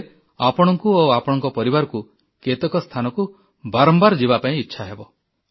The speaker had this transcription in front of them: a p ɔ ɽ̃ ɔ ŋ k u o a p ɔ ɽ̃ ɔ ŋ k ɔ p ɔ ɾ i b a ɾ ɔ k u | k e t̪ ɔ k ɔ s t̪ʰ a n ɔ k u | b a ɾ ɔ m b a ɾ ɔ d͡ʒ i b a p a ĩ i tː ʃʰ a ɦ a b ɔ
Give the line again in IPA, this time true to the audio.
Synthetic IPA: a p ɔ ɽ̃ ɔ ŋ k u o a p ɔ ɽ̃ ɔ ŋ k ɔ p ɔ ɾ i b a ɾ ɔ k u | k e t̪ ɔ k ɔ s t̪ʰ a n ɔ k u | b a ɾ ɔ m b a ɾ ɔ d͡ʒ i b a p a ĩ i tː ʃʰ a ɦ e b ɔ